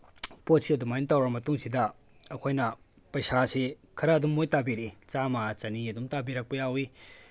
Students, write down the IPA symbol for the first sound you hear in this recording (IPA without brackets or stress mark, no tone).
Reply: p